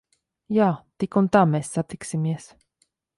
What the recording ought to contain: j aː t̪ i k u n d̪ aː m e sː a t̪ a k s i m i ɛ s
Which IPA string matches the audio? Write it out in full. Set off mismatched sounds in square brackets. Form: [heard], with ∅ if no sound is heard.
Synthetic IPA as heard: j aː t̪ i k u n [t̪] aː m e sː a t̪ [i] k s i m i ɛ s